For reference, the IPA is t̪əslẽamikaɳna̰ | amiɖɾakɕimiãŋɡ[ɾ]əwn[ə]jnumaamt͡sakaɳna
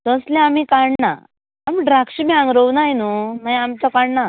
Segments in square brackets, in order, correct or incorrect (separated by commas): correct, incorrect